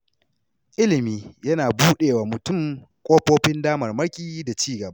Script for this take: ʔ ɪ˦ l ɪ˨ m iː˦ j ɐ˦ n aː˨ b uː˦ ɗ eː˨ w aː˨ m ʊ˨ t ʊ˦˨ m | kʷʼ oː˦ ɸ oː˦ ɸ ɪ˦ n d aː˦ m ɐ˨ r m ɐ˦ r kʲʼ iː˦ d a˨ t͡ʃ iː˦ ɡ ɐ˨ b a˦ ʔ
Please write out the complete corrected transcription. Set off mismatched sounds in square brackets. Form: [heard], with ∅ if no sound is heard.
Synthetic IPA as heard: ʔ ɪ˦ l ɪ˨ m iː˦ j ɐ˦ n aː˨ b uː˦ ɗ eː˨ w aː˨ m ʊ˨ t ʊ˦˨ m | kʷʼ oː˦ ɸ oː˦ ɸ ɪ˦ n d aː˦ m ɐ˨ r m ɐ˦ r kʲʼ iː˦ d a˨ t͡ʃ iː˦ ɡ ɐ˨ b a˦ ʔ